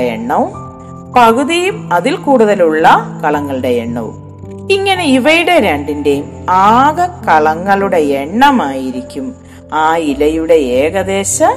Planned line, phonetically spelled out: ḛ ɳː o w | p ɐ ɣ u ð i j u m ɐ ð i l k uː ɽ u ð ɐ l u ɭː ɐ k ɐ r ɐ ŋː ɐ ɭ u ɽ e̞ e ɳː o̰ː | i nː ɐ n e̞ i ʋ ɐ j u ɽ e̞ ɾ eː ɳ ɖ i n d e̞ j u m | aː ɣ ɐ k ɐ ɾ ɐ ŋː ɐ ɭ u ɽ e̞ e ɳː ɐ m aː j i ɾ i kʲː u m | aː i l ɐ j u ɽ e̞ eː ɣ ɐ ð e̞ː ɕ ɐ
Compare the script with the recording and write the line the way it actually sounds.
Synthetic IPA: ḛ ɳː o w | p ɐ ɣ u ð i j u m ɐ ð i l k uː ɽ u ð ɐ l u ɭː ɐ k ɐ ɭ ɐ ŋː ɐ ɭ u ɽ e̞ e ɳː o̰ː | i ŋː ɐ n e̞ i ʋ ɐ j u ɽ e̞ ɾ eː ɳ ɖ i n d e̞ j u m | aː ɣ ɐ k ɐ ɭ ɐ ŋː ɐ ɭ u ɽ e̞ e ɳː ɐ m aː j i ɾ i kʲː u m | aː i l ɐ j u ɽ e̞ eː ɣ ɐ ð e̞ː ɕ ɐ